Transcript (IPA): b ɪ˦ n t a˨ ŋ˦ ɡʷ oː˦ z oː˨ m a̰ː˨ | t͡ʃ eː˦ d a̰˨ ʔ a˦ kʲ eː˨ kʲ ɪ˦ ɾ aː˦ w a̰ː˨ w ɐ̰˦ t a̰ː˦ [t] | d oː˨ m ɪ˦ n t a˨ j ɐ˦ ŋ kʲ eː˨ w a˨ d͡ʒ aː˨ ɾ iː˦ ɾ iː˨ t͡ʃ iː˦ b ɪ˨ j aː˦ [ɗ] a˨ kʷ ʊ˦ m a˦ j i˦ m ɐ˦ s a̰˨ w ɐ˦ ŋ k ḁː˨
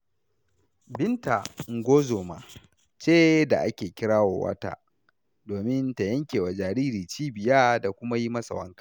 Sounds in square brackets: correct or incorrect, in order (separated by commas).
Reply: incorrect, incorrect